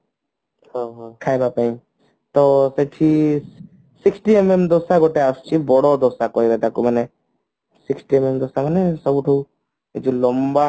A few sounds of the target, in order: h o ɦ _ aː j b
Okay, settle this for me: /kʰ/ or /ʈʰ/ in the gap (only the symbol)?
kʰ